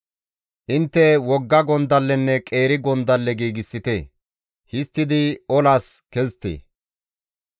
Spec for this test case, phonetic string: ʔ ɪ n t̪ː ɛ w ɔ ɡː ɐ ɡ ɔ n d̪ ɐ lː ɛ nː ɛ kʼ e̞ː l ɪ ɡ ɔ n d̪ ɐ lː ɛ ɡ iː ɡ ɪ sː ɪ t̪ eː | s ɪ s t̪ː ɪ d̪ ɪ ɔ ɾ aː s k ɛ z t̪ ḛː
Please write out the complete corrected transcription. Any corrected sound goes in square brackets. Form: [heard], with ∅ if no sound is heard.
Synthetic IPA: ʔ ɪ n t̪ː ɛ w ɔ ɡː ɐ ɡ ɔ n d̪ ɐ lː ɛ nː ɛ kʼ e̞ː [ɾ] ɪ ɡ ɔ n d̪ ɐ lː ɛ ɡ iː ɡ ɪ sː ɪ t̪ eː | [h] ɪ s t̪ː ɪ d̪ ɪ ɔ [l] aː s k ɛ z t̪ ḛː